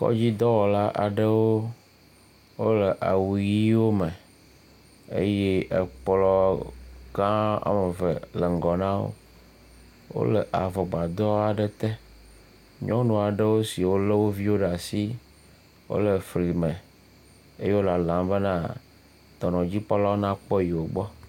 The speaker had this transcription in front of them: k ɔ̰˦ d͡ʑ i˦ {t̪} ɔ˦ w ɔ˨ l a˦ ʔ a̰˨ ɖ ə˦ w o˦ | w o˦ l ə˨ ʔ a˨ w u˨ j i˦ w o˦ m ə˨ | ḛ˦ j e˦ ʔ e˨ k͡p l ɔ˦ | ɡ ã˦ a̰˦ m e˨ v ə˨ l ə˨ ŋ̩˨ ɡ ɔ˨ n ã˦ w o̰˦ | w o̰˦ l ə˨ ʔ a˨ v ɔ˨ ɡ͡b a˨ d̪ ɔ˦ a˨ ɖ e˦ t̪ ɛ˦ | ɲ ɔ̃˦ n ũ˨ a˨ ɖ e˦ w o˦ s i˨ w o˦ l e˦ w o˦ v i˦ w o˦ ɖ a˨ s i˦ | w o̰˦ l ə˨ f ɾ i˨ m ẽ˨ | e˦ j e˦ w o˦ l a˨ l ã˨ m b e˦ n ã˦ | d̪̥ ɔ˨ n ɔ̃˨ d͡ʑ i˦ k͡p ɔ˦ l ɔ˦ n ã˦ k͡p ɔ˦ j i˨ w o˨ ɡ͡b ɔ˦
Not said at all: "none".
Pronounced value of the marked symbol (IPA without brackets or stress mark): d̪